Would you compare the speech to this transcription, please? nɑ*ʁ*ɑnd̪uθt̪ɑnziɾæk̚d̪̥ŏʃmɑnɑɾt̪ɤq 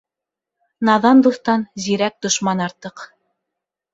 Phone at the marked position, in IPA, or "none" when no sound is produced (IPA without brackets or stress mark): ð